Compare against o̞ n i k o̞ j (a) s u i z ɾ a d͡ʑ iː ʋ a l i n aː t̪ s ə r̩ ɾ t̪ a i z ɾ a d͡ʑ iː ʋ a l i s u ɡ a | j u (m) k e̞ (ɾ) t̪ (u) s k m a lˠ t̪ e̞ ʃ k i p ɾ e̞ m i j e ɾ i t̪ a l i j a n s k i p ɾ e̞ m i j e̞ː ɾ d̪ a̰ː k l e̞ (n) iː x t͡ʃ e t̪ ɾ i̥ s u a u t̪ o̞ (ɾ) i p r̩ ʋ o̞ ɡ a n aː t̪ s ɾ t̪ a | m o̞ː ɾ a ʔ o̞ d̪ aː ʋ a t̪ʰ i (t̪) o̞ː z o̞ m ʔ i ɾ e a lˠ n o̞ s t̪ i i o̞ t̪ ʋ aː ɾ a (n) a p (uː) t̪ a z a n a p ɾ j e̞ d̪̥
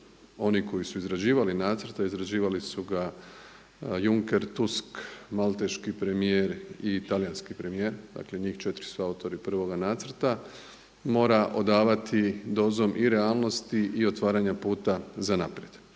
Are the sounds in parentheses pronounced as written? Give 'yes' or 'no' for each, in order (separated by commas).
no, no, yes, yes, no, yes, no, no, yes